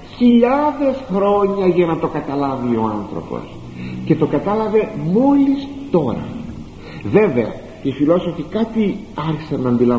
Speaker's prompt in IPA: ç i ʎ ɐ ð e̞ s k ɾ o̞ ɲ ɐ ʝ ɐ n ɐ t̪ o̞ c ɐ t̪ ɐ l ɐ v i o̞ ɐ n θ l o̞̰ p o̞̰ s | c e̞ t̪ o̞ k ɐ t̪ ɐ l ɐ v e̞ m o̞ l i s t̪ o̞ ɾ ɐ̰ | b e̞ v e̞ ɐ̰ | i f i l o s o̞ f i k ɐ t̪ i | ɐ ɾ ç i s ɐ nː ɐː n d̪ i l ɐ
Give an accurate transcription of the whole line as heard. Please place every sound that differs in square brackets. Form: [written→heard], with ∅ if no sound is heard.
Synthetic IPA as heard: ç i ʎ ɐ ð e̞ s [k→x] ɾ o̞ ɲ ɐ ʝ ɐ n ɐ t̪ o̞ [c→k] ɐ t̪ ɐ l ɐ v i o̞ ɐ n θ [l→ɾ] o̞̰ p o̞̰ s | c e̞ t̪ o̞ k ɐ t̪ ɐ l ɐ v e̞ m o̞ l i s t̪ o̞ ɾ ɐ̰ | [b→v] e̞ v e̞ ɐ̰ | i f i l o s o̞ f i k ɐ t̪ i | ɐ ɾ ç i s ɐ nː ɐː n d̪ i l ɐ